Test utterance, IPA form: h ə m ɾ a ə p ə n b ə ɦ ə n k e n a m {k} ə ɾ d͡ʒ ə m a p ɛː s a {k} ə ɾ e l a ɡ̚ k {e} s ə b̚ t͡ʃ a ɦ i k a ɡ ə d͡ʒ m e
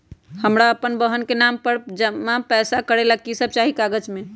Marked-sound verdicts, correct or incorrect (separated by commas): incorrect, correct, incorrect